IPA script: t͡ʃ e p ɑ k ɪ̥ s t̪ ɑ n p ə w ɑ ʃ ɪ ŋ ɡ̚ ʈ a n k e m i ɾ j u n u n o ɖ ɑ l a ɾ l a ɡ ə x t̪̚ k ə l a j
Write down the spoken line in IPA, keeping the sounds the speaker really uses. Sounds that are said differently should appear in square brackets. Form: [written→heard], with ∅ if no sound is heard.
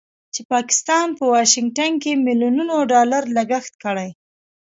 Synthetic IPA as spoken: t͡ʃ e p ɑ k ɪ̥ s t̪ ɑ n p ə w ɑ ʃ ɪ ŋ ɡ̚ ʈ a n k e m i [ɾ→l] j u n u n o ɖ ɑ l a ɾ l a ɡ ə x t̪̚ k ə [l→ɽ] a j